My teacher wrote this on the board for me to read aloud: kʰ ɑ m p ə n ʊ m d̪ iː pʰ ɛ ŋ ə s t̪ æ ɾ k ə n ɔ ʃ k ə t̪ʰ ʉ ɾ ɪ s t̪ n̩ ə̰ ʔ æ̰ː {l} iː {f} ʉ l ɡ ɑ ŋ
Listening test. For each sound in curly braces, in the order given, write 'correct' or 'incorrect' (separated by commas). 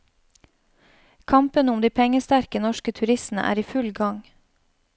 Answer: incorrect, correct